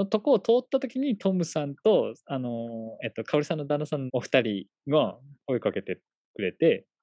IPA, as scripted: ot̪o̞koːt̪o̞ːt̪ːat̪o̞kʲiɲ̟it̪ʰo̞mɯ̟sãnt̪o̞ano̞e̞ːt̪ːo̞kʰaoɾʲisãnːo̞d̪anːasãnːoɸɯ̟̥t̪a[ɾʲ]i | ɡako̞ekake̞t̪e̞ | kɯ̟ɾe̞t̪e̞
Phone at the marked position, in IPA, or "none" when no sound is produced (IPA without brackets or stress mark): ɾʲ